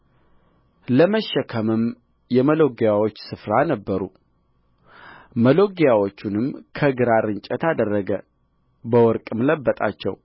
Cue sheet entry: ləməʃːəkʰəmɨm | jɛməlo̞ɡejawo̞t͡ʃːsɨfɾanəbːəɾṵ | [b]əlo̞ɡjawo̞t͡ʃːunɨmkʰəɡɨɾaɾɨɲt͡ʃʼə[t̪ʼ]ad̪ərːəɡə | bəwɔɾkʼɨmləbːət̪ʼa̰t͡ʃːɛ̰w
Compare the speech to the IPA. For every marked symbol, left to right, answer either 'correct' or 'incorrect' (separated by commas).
incorrect, incorrect